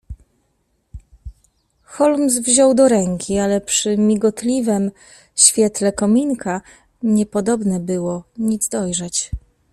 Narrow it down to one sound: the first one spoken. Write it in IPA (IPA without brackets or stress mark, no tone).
x